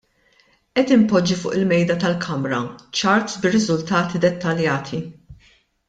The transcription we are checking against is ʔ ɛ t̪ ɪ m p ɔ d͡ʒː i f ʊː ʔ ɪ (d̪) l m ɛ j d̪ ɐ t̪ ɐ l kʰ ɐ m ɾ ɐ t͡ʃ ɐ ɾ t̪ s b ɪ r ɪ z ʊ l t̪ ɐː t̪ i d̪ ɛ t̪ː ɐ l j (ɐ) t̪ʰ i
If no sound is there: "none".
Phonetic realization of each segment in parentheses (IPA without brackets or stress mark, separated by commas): none, ɐː